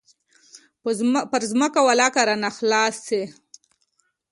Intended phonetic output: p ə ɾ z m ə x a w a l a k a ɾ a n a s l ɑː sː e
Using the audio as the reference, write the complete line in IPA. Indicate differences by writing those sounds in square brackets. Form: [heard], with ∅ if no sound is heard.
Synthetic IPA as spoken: p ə ɾ z m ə [k] a w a l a k a ɾ a n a [x] l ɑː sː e

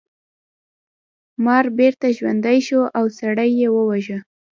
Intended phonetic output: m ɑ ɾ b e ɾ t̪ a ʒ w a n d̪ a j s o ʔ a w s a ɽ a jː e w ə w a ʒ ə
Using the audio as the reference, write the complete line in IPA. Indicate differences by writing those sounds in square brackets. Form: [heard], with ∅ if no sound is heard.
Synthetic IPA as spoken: m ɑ ɾ b e ɾ t̪ a ʒ w a n d̪ a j [ʃ] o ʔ a w s a ɽ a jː e w ə w a ʒ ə

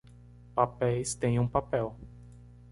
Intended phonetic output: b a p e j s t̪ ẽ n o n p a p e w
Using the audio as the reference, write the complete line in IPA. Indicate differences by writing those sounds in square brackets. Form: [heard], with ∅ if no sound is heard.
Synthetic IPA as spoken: [p] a p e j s t̪ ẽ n [u] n p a p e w

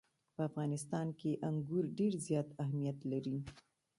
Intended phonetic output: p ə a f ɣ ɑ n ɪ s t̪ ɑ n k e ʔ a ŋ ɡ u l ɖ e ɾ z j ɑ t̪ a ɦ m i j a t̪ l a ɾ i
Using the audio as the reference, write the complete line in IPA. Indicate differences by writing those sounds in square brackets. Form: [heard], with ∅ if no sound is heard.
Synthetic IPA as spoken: p ə a f ɣ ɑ n ɪ s t̪ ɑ n k e ʔ a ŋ ɡ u [ɾ] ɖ e ɾ z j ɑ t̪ a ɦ m i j a t̪ l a ɾ i

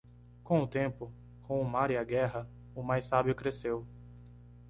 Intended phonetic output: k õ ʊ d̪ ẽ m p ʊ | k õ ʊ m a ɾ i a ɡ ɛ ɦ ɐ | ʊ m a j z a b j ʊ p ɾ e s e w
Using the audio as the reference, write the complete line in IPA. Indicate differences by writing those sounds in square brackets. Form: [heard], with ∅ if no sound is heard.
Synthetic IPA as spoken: k õ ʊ [t̪] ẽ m p ʊ | k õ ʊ m a ɾ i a ɡ ɛ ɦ ɐ | ʊ m a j [s] a b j ʊ [k] ɾ e s e w

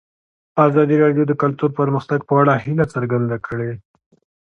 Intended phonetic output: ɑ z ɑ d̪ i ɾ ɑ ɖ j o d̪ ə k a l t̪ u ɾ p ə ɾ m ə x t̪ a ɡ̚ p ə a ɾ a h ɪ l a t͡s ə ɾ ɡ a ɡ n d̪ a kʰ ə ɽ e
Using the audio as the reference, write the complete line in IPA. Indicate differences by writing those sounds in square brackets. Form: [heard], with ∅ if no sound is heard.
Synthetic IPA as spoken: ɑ z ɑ d̪ i ɾ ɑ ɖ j o d̪ ə k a l t̪ u ɾ p ə ɾ m ə x t̪ a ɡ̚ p ə a [ɽ] a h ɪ l a t͡s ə ɾ ɡ a [∅] n d̪ a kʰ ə ɽ e

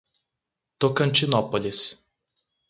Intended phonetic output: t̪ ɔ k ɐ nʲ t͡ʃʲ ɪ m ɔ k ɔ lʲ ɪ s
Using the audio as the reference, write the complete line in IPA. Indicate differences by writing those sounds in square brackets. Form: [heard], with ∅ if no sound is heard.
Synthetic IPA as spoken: t̪ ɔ k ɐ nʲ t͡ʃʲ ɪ [n] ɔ [p] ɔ lʲ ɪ s

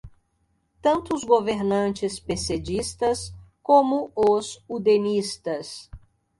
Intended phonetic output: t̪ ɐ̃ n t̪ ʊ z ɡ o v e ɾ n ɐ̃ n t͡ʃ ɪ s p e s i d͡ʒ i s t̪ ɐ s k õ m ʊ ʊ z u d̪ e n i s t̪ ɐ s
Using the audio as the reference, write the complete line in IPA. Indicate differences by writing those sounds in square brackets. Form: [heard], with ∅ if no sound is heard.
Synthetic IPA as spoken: t̪ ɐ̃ n t̪ ʊ z ɡ o v e ɾ n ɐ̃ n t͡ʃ ɪ s p e s [e] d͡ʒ i s t̪ ɐ s k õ m ʊ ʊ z u d̪ e n i s t̪ ɐ s

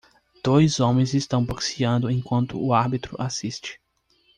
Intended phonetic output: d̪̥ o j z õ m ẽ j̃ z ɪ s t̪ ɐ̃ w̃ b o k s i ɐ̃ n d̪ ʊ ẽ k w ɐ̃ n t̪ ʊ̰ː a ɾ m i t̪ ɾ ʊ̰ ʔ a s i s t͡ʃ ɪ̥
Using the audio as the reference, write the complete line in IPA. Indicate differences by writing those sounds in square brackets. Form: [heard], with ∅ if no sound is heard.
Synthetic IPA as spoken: d̪̥ o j z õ m ẽ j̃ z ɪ s t̪ ɐ̃ w̃ b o k s i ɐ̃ n d̪ ʊ ẽ k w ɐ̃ n t̪ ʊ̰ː a ɾ [b] i t̪ ɾ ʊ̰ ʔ a s i s t͡ʃ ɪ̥

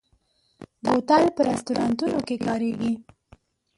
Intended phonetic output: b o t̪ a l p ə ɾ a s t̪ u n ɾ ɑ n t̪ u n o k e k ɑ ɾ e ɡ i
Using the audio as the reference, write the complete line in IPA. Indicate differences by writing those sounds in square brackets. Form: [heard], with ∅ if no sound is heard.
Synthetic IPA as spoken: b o t̪ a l p ə ɾ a s t̪ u [∅] ɾ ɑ n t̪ u n o k e k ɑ ɾ e ɡ i

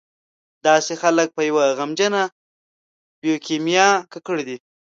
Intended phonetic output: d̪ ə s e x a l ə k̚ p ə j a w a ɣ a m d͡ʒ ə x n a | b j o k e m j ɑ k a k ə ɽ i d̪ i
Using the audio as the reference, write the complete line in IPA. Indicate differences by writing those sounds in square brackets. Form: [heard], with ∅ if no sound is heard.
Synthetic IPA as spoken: d̪ [ɑ] s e x a l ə k̚ p ə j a w a ɣ a m d͡ʒ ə [∅] n a | b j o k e m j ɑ k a k ə ɽ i d̪ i

